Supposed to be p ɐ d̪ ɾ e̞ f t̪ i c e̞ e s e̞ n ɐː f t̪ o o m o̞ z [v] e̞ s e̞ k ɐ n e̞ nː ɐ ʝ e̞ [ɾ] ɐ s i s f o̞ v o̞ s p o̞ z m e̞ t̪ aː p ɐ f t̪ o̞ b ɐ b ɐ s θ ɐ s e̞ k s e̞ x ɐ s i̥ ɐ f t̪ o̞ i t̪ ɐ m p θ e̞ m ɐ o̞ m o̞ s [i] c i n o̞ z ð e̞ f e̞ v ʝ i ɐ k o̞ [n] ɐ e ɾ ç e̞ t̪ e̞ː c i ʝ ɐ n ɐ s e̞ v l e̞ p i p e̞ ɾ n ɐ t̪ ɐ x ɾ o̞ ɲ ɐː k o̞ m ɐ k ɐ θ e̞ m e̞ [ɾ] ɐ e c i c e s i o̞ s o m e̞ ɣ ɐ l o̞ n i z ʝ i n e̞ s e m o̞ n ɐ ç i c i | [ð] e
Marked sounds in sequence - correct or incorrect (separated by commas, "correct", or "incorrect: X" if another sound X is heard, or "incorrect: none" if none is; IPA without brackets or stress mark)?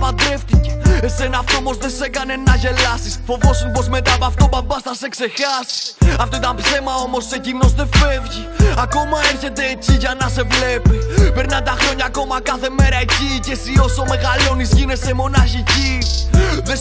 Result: incorrect: ð, incorrect: l, incorrect: e, incorrect: m, correct, correct